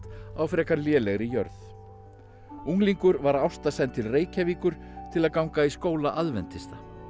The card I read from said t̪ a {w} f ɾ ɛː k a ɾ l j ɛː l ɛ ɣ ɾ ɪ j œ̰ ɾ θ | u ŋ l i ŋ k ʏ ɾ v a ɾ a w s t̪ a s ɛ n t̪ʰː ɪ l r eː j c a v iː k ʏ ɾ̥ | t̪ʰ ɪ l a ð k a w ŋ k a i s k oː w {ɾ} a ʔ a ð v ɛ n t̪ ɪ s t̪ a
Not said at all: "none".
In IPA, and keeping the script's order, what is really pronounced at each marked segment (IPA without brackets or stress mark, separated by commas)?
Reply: w, l